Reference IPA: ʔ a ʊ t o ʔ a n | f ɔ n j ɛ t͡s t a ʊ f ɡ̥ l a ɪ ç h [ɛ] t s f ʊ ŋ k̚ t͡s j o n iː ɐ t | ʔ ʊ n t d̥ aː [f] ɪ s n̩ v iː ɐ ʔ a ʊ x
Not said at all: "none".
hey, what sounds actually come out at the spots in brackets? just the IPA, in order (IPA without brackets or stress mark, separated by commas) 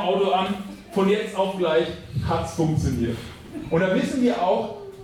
a, v